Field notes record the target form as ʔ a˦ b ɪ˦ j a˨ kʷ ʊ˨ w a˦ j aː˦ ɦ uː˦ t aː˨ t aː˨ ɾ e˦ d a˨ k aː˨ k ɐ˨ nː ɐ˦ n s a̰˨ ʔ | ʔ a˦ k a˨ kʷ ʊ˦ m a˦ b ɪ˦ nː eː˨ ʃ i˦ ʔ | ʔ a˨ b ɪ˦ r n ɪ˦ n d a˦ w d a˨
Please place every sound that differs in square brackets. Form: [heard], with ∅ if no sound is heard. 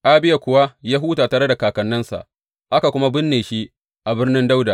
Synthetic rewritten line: ʔ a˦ b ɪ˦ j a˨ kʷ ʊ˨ w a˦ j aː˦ ɦ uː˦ t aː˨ t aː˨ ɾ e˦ d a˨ k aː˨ k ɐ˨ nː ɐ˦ n s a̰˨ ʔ | ʔ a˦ k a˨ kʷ ʊ˦ m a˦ b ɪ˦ nː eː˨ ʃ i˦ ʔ | ʔ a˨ b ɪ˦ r n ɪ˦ n d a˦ w d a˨